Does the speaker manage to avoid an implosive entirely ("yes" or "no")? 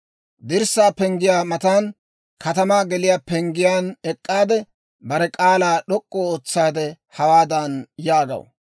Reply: no